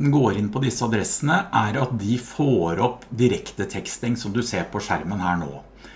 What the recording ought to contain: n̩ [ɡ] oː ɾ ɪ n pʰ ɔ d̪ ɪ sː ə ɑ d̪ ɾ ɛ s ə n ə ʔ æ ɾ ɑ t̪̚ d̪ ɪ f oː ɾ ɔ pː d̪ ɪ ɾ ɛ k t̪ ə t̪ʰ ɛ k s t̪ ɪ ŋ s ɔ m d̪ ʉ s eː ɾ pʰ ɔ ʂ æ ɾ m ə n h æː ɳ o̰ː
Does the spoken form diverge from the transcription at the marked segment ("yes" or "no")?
no